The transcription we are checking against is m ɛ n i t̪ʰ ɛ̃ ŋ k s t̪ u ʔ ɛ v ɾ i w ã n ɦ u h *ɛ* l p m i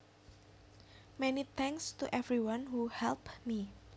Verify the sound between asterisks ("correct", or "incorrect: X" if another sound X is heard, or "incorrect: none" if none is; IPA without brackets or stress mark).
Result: correct